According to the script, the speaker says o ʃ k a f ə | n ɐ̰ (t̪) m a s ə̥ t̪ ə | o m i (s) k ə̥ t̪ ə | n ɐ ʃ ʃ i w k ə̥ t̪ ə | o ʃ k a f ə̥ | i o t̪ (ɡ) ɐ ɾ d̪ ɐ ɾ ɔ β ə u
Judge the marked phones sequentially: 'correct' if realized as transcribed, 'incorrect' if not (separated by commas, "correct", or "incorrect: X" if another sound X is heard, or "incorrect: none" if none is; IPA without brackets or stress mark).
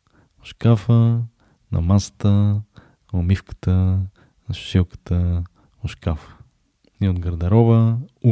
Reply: incorrect: none, incorrect: f, correct